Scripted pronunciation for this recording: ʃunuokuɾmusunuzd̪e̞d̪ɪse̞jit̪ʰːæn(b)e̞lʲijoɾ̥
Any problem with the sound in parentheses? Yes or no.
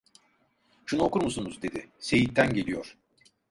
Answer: yes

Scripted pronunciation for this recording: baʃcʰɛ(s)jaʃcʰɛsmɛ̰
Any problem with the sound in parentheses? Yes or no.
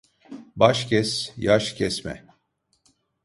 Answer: no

